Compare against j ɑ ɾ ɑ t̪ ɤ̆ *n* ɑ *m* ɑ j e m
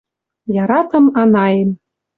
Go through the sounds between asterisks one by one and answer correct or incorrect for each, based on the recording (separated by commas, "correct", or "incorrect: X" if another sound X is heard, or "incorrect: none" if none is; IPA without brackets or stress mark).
incorrect: m, incorrect: n